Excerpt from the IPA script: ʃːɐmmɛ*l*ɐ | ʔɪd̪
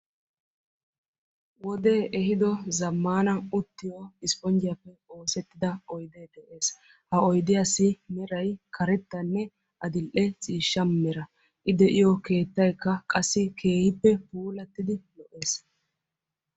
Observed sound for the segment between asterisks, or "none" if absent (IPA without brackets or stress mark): ɾ